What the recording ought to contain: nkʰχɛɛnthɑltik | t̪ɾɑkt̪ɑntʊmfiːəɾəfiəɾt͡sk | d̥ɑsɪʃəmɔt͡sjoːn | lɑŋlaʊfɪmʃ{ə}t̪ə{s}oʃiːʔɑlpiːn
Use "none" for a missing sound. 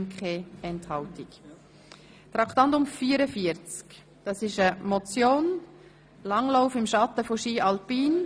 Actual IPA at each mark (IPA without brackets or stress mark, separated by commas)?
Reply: ɑ, f